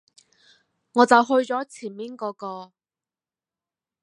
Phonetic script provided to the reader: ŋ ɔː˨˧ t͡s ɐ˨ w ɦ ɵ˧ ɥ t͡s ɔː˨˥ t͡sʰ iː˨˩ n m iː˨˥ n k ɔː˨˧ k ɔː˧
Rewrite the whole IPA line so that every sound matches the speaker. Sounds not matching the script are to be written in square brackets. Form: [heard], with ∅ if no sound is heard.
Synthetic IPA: ŋ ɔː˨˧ t͡s ɐ˨ w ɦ ɵ˧ ɥ t͡s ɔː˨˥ t͡sʰ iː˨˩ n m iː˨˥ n k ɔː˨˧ k ɔː˧